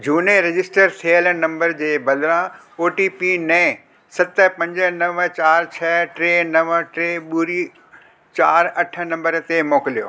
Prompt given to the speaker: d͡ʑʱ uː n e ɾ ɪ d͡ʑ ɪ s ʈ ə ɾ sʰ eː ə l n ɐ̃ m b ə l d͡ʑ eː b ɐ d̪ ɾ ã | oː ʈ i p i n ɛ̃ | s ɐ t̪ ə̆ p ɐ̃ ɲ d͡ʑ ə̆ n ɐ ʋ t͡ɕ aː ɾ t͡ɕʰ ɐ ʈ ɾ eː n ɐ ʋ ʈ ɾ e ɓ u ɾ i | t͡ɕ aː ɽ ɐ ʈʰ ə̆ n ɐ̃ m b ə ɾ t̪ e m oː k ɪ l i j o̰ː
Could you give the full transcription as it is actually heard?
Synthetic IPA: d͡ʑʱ uː n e ɾ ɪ d͡ʑ ɪ s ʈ ə ɾ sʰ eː ə l n ɐ̃ m b ə ɾ d͡ʑ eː b ɐ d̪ ɾ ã | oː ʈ i p i n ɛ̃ | s ɐ t̪ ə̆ p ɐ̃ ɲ d͡ʑ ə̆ n ɐ ʋ t͡ɕ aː ɾ t͡ɕʰ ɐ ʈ ɾ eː n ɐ ʋ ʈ ɾ e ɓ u ɾ i | t͡ɕ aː ɾ ɐ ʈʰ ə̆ n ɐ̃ m b ə ɾ t̪ e m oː k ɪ l i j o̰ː

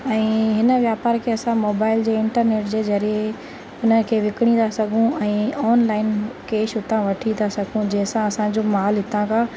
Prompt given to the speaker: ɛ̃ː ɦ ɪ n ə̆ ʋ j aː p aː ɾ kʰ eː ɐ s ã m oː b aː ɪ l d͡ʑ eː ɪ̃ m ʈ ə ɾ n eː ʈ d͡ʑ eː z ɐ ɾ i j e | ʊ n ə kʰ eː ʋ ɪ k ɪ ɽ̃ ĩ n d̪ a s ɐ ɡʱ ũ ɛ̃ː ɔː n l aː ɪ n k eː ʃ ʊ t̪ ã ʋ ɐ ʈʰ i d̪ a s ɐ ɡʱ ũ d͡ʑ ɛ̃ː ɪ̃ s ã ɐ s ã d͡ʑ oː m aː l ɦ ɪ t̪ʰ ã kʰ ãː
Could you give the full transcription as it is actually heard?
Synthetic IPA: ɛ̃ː ɦ ɪ n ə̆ ʋ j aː p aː ɾ kʰ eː ɐ s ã m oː b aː ɪ l d͡ʑ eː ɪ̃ ɳ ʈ ə ɾ n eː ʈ d͡ʑ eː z ɐ ɾ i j e | ʊ n ə kʰ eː ʋ ɪ k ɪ ɽ̃ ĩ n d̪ a s ɐ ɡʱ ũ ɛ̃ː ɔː n l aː ɪ n k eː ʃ ʊ t̪ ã ʋ ɐ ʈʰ i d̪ a s ɐ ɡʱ ũ d͡ʑ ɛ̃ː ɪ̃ s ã ɐ s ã d͡ʑ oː m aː l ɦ ɪ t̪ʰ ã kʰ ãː

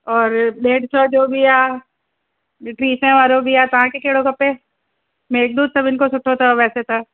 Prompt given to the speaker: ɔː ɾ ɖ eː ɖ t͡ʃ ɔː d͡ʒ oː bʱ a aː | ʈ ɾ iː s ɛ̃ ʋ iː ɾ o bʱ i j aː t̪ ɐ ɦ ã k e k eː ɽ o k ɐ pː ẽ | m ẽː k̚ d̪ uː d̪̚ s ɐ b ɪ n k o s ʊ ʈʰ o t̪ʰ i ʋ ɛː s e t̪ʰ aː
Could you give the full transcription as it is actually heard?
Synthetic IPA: ɔː ɾ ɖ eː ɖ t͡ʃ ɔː d͡ʒ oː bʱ i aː | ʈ ɾ iː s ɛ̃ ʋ aː ɾ o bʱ i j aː t̪ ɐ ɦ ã k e k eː ɽ o k ɐ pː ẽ | m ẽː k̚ d̪ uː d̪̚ s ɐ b ɪ n k o s ʊ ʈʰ o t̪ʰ a ʋ ɛː s e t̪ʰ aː

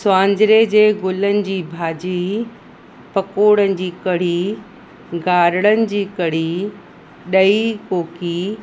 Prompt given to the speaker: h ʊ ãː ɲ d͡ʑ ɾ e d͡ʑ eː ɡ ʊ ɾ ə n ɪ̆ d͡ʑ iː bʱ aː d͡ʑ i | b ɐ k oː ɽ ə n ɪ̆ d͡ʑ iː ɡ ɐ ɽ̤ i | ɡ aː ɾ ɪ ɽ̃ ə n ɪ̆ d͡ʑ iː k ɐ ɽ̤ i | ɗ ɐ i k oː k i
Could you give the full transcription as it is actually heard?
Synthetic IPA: s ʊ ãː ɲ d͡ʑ ɾ e d͡ʑ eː ɡ ʊ l ə n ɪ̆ d͡ʑ iː bʱ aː d͡ʑ i | p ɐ k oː ɽ ə n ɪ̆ d͡ʑ iː k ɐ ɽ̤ i | ɡ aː ɾ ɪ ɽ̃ ə n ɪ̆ d͡ʑ iː k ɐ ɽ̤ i | ɗ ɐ i k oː k i

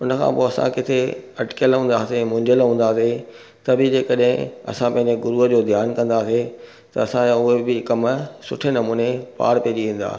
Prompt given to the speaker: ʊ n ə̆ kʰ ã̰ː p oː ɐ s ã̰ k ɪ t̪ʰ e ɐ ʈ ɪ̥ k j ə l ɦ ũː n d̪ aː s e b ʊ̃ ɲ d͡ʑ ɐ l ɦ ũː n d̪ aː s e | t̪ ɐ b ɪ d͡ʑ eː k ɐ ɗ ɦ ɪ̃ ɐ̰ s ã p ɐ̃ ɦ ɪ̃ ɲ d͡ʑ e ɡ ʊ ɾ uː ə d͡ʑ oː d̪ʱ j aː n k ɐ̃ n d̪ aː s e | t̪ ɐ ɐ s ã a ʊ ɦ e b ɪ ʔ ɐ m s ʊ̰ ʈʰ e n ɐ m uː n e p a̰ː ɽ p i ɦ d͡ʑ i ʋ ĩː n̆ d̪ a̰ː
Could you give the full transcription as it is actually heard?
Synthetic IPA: ʊ n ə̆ kʰ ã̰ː p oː ɐ s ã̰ k ɪ t̪ʰ e ɐ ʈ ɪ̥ k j ə l ɦ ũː n d̪ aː s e m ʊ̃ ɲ d͡ʑ ə l ɦ ũː n d̪ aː s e | t̪ ɐ b ɪ d͡ʑ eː k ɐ ɗ ɦ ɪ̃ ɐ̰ s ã p ɐ̃ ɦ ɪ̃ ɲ d͡ʑ e ɡ ʊ ɾ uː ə d͡ʑ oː d̪ʱ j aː n k ɐ̃ n d̪ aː s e | t̪ ɐ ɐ s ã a ʊ ɦ e b ɪ k ɐ m s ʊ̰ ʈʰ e n ɐ m uː n e p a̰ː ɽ p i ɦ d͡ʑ i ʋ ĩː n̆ d̪ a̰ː

